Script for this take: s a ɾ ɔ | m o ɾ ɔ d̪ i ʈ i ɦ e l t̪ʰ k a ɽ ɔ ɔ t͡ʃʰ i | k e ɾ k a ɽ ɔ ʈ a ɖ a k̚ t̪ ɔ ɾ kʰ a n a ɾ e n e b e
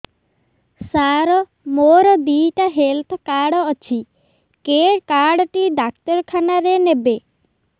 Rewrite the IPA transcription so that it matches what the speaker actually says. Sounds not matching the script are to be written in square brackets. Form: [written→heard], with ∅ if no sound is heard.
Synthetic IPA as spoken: s a ɾ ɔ | m o ɾ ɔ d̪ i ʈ [i→a] ɦ e l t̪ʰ k a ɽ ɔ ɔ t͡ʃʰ i | k e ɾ k a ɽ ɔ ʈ [a→i] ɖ a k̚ t̪ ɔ ɾ kʰ a n a ɾ e n e b e